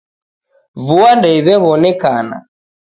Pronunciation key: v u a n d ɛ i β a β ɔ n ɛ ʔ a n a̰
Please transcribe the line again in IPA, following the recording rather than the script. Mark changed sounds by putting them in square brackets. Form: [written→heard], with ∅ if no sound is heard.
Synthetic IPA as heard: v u a n d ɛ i β [a→ɛ] β ɔ n ɛ [ʔ→k] a n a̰

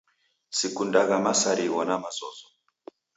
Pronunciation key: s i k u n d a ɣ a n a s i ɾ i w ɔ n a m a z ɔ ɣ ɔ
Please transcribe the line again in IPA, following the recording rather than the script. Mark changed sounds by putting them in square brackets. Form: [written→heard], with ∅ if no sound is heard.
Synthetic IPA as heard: s i k u n d a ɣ a [n→m] a s [i→a] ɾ i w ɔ n a m a z ɔ [ɣ→z] ɔ

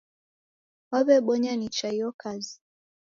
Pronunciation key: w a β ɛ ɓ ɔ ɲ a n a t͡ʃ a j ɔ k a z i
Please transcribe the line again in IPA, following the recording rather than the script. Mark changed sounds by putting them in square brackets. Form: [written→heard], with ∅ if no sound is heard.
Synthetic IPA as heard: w a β ɛ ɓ ɔ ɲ a n [a→i] t͡ʃ a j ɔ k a z i

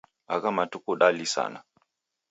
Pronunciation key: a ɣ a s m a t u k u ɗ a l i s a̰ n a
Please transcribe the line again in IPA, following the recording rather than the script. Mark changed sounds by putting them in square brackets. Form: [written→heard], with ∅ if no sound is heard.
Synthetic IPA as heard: a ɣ a [s→∅] m a t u k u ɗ a l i s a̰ n a

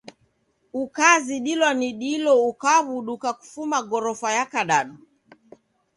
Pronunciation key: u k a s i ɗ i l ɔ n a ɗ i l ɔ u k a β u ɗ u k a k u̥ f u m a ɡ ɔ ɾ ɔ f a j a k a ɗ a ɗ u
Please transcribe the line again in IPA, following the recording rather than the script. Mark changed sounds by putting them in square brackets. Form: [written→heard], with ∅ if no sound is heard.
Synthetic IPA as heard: u k a [s→z] i ɗ i l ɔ n [a→i] ɗ i l ɔ u k a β u ɗ u k a k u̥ f u m a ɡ ɔ ɾ ɔ f a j a k a ɗ a ɗ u

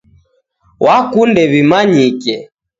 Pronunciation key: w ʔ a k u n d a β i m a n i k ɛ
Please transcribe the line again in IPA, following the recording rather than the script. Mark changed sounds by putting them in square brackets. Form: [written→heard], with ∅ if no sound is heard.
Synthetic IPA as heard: w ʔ a k u n d [a→ɛ] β i m a [n→ɲ] i k ɛ

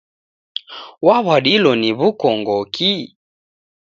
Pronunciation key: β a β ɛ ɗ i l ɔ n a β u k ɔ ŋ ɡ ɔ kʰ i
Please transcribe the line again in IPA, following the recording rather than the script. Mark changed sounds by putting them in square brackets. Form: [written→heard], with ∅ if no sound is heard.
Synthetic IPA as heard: [β→w] a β [ɛ→a] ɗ i l ɔ n [a→i] β u k ɔ ŋ ɡ ɔ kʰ i

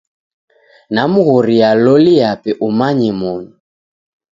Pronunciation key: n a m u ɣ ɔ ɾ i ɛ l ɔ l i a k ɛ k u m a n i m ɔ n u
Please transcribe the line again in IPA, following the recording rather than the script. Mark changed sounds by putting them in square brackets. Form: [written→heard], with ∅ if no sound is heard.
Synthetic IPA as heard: n a m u ɣ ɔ ɾ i [ɛ→a] l ɔ l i a [k→p] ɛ [k→ʔ] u m a [n→ɲ] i m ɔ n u

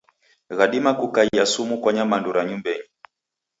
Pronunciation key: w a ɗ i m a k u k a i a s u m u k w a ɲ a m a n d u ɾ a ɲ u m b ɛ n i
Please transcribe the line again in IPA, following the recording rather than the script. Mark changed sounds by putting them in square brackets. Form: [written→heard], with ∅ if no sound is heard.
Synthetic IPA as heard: [w→ɣ] a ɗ i m a k u k a i a s u m u k w a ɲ a m a n d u ɾ a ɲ u m b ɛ [n→ɲ] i

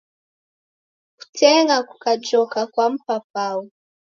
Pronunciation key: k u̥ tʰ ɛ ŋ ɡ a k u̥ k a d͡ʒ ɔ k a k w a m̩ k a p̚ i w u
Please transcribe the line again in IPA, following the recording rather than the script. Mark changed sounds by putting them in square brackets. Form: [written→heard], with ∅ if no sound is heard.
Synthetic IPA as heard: k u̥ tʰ ɛ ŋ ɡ a k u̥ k a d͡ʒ ɔ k a k w a m̩ [k→p] a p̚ [i→a] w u

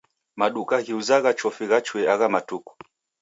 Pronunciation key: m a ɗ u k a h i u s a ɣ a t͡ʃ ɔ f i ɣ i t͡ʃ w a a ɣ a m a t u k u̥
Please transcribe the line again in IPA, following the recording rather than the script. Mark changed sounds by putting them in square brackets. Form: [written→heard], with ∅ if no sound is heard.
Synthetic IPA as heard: m a ɗ u k a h i u [s→z] a ɣ a t͡ʃ ɔ f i ɣ [i→a] t͡ʃ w [a→ɛ] a ɣ a m a t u k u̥

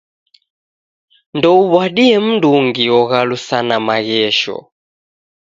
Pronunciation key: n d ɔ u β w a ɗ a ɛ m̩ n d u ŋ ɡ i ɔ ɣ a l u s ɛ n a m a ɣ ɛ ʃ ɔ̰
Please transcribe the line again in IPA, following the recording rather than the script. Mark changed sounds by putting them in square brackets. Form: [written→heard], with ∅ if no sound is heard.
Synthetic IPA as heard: n d ɔ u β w a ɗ [a→i] ɛ m̩ n d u ŋ ɡ i ɔ ɣ a l u s [ɛ→a] n a m a ɣ ɛ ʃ ɔ̰

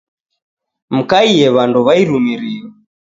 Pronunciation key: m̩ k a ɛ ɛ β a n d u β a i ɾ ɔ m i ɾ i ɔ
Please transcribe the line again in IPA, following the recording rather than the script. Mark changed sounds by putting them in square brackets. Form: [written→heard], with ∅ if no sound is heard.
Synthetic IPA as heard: m̩ k a [ɛ→i] ɛ β a n d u β a i ɾ [ɔ→u] m i ɾ i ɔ

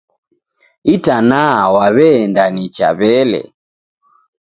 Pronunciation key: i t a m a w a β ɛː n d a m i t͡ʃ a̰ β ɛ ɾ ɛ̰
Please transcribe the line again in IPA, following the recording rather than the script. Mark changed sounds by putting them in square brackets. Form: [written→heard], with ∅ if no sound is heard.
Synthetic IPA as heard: i t a [m→n] a w a β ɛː n d a [m→n] i t͡ʃ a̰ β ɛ [ɾ→l] ɛ̰

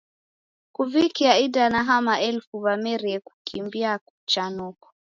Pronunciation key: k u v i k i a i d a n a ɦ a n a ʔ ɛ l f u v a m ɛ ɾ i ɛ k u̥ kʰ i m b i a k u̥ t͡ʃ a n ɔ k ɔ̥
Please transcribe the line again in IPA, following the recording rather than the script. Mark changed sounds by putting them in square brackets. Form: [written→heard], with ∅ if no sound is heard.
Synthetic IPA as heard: k u v i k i a i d a n a ɦ a [n→m] a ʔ ɛ l f u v a m ɛ ɾ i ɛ k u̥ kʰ i m b i a k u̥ t͡ʃ a n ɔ k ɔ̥

